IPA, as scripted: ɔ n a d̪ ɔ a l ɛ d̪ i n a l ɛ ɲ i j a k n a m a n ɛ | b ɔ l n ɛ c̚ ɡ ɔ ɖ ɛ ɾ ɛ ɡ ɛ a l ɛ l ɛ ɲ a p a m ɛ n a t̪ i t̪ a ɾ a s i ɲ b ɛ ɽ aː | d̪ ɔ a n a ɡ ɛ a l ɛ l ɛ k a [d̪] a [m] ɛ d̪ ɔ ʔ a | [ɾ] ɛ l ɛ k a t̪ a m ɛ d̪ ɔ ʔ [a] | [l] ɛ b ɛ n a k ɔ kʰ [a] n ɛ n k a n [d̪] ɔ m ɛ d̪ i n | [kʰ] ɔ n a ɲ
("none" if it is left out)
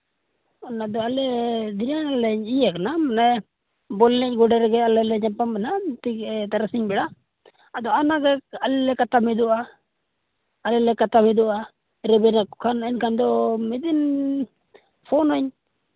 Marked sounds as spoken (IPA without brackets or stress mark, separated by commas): t̪, m, l, a, ɾ, a, d̪, pʰ